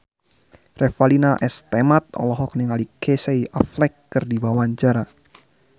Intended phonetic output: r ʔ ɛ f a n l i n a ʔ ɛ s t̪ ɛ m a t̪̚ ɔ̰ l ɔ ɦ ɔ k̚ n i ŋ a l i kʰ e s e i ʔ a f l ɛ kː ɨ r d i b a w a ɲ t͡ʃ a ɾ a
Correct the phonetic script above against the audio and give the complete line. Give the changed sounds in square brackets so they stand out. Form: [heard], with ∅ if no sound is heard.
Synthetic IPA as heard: r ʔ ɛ f a [∅] l i n a ʔ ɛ s t̪ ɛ m a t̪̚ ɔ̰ l ɔ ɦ ɔ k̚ n i ŋ a l i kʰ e s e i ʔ a f l ɛ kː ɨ r d i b a w a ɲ t͡ʃ a ɾ a